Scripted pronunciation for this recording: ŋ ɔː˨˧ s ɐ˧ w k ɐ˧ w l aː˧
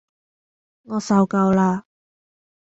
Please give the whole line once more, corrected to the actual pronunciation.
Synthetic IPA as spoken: ŋ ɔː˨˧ s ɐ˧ w k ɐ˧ w l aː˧